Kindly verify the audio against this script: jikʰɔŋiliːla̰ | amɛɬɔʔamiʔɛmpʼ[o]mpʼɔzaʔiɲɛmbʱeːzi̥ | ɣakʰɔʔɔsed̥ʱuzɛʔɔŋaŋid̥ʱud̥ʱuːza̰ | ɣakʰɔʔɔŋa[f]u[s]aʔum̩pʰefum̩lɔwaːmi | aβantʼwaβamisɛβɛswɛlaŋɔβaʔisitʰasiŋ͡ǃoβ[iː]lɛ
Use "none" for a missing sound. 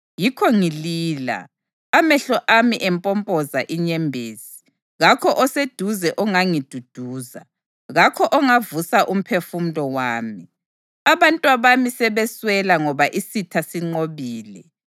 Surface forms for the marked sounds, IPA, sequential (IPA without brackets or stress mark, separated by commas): ɔ, v, s, iː